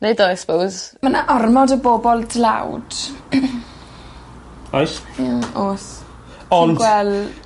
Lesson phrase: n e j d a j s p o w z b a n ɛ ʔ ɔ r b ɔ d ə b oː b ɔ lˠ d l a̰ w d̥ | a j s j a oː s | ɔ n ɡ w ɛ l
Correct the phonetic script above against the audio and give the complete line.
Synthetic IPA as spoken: n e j d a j s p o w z m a n a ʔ ɔ r m ɔ d ə b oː b ɔ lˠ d l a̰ w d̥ | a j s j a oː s | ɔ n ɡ w ɛ l